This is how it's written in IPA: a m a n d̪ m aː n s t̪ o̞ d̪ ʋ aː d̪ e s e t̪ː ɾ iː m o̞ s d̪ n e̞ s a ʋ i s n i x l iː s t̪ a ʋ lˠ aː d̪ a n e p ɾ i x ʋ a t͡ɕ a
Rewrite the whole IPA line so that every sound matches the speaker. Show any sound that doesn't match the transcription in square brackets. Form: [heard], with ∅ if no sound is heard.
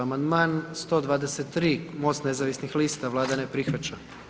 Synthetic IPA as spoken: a m a n d̪ m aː n s t̪ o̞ d̪ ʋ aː d̪ e s e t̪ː ɾ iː m o̞ s [t̪] n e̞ [z] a ʋ i s n i x l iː s t̪ a ʋ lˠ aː d̪ a n e p ɾ i x ʋ a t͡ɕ a